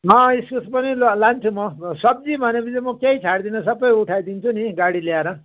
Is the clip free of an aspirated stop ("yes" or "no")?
no